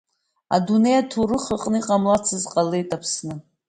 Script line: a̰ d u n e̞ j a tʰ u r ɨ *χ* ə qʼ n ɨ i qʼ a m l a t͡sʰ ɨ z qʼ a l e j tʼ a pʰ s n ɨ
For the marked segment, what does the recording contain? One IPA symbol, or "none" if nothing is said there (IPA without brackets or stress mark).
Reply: χ